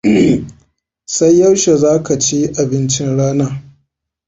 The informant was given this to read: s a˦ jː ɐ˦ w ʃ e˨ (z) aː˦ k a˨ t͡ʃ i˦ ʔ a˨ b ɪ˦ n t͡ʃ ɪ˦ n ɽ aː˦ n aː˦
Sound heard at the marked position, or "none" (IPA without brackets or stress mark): z